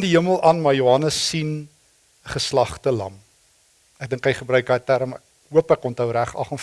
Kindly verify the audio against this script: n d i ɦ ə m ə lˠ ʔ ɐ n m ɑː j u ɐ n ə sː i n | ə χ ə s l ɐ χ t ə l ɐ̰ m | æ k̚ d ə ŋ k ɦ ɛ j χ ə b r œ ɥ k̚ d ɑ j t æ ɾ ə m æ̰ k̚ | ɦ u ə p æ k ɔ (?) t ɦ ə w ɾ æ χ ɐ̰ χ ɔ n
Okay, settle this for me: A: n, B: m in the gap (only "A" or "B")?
A